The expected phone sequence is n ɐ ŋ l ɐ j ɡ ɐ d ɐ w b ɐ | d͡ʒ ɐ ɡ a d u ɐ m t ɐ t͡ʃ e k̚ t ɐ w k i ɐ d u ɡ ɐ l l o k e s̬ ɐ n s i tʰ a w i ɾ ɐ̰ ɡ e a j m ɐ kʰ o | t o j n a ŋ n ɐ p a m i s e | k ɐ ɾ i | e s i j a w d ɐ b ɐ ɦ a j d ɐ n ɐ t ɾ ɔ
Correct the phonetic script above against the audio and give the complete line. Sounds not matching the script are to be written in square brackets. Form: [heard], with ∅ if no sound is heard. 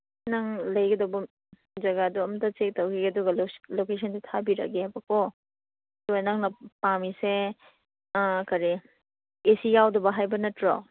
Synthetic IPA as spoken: n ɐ ŋ l ɐ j ɡ ɐ d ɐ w b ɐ | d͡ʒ ɐ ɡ a d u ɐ m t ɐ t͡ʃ e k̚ t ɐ w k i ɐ d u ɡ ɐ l l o k e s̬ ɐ n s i tʰ a [b] i ɾ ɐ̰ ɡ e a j [b] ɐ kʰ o | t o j n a ŋ n ɐ p a m i s e | k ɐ ɾ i | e s i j a w d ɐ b ɐ ɦ a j [b] ɐ n ɐ t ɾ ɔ